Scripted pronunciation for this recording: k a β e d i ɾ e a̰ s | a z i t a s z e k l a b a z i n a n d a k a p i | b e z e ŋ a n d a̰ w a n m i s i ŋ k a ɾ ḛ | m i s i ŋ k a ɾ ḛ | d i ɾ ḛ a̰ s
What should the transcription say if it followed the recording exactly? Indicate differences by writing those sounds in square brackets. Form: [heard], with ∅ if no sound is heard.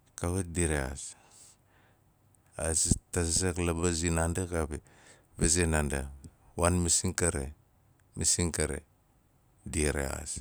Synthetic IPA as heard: k a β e d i ɾ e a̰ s | a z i t a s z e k l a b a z i n a n d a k a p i | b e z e [n] a n d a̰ w a n m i s i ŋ k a ɾ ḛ | m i s i ŋ k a ɾ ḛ | d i ɾ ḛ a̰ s